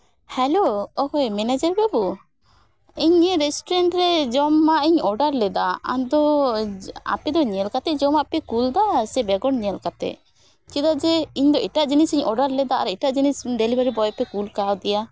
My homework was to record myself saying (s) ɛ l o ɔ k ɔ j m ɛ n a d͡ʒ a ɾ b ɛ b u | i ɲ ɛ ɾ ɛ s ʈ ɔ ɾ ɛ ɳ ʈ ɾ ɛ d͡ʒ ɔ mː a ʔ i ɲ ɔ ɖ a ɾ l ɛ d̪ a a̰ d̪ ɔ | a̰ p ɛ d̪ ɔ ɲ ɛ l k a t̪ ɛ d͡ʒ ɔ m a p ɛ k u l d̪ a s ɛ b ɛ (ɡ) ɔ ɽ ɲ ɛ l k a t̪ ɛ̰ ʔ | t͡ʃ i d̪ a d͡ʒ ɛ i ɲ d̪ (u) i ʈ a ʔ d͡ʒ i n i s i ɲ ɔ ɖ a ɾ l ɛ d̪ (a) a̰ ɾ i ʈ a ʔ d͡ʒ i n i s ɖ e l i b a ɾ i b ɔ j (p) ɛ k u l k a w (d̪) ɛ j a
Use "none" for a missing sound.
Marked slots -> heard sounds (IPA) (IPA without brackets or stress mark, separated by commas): h, ɡ, ɔ, a, p, d̪